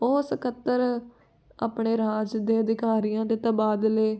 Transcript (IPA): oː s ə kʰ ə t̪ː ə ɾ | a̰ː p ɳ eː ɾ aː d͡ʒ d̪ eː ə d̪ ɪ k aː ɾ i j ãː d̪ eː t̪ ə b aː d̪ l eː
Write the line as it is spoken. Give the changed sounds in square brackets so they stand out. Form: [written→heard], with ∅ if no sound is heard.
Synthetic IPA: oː s ə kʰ ə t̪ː ə ɾ | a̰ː p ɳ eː ɾ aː d͡ʒ d̪ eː ə d̪ ɪ k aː ɾ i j ãː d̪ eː t̪ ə b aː d̪ l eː